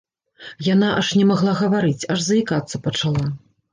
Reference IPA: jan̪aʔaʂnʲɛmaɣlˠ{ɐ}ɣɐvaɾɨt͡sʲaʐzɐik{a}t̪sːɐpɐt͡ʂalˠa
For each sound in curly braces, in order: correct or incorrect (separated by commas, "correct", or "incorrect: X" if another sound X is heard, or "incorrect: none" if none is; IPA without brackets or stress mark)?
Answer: incorrect: a, correct